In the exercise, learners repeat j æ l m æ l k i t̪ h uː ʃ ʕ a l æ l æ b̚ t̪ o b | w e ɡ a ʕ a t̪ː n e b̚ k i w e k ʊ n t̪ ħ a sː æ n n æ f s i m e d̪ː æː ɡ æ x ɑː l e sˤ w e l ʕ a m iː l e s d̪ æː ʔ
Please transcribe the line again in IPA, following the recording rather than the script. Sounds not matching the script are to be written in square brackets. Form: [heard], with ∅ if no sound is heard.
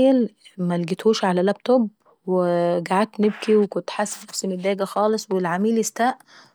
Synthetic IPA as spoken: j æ l m æ l [ɡ] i t̪ h uː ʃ ʕ a l æ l æ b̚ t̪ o b | w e ɡ a ʕ a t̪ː n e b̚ k i w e k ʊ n t̪ ħ a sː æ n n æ f s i m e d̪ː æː ɡ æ x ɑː l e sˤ w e l ʕ a m iː l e s [t̪] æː ʔ